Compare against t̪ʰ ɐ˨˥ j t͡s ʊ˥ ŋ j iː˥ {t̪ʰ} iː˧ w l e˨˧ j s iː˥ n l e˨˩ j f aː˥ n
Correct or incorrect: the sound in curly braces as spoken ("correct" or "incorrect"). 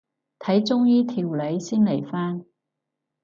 correct